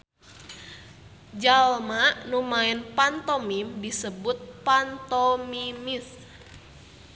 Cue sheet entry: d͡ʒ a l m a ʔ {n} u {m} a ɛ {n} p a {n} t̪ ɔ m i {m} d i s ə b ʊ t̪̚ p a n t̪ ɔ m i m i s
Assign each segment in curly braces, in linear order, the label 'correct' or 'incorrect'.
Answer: correct, correct, correct, correct, correct

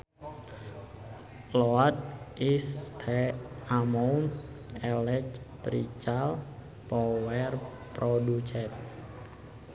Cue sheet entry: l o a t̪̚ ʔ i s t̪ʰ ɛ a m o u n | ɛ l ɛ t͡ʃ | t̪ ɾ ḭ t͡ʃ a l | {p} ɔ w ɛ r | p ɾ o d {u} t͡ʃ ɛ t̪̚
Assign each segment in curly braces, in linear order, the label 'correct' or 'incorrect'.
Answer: correct, correct

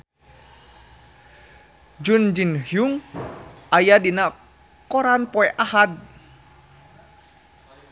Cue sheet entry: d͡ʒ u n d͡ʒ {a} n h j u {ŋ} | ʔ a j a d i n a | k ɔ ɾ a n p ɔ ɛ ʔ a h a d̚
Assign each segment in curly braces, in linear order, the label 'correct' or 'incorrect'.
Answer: incorrect: i, correct

